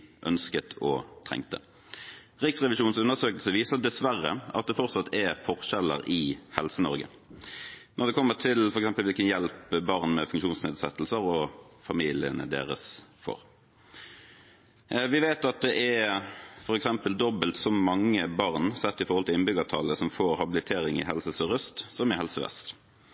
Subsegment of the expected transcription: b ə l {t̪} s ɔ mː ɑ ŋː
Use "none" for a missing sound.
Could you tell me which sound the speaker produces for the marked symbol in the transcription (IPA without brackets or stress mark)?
t̪